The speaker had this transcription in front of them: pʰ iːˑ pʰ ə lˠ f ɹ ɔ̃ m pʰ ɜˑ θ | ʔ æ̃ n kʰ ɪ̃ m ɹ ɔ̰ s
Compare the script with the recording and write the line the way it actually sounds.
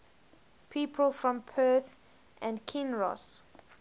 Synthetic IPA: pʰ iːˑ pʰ ə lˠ f ɹ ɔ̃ m pʰ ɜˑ θ | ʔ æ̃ n kʰ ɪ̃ n ɹ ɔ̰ s